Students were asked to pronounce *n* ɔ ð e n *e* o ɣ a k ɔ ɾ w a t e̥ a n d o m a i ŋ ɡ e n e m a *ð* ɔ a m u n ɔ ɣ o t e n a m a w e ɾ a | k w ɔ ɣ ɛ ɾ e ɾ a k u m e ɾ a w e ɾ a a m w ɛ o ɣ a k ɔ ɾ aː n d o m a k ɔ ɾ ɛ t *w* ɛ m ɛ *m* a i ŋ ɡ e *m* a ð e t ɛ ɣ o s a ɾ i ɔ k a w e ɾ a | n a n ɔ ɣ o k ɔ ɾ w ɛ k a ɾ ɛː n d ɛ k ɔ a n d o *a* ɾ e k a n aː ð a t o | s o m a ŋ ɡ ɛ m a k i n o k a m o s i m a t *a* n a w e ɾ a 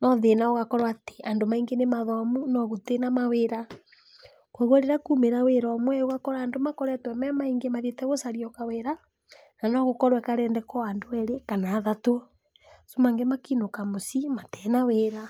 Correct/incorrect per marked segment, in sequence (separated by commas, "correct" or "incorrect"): correct, incorrect, correct, correct, correct, correct, incorrect, incorrect